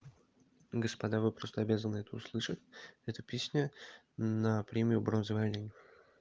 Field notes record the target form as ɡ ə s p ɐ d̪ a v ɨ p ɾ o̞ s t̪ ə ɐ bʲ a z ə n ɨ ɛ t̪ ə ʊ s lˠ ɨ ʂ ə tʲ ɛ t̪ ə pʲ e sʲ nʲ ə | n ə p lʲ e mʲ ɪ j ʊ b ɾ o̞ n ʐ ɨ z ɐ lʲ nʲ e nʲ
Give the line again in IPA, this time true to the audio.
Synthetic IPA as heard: ɡ ə s p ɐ d̪ a v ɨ p ɾ o̞ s t̪ ə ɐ bʲ a z ə n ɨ ɛ t̪ ə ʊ s lˠ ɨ ʂ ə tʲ ɛ t̪ ə pʲ e sʲ nʲ ə | n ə p ɾʲ e mʲ ɪ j ʊ b ɾ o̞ n z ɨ v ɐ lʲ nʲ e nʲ